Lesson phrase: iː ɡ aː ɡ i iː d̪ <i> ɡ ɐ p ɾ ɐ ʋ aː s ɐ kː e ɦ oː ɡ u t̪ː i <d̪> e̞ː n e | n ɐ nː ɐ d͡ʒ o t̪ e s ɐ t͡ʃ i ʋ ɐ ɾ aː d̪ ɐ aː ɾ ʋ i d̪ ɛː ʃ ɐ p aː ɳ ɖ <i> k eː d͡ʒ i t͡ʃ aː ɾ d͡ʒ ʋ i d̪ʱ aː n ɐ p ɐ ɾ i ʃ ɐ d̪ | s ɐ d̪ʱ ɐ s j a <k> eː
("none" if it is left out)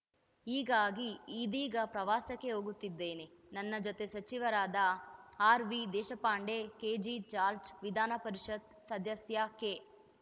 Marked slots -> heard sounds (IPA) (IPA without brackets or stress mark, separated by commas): iː, d̪ː, e, k